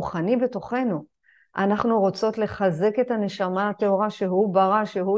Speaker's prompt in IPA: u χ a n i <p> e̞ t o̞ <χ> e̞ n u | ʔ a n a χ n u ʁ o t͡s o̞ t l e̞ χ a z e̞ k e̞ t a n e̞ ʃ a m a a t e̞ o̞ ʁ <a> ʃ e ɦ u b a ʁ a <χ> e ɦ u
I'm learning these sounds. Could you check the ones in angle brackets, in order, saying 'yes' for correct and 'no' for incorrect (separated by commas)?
no, yes, yes, no